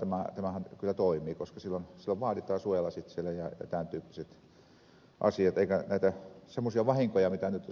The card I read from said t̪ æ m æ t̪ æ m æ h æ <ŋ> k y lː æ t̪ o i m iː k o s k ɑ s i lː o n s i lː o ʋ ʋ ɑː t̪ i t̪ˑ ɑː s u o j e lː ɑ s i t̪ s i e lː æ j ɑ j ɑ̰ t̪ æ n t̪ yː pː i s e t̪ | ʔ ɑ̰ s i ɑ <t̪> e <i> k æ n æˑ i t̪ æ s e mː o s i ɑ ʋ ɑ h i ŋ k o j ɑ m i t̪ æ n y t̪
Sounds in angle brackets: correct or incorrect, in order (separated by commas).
incorrect, correct, correct